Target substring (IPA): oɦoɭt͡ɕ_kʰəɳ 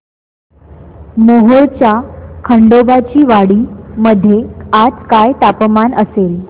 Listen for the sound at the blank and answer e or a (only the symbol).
a